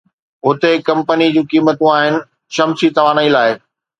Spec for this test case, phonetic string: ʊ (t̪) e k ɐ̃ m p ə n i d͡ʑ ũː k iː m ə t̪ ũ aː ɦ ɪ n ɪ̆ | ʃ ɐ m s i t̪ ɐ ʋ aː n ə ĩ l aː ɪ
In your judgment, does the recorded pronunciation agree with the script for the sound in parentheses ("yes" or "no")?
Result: yes